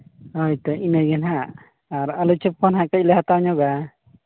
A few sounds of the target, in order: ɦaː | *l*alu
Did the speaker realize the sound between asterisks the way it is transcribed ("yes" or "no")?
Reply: no